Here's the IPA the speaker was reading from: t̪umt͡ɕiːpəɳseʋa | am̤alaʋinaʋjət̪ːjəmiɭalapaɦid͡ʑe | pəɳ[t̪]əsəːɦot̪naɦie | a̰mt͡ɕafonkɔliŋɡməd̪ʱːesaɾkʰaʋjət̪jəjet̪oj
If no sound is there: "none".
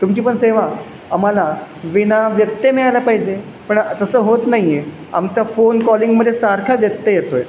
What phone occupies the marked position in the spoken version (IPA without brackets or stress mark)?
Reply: t̪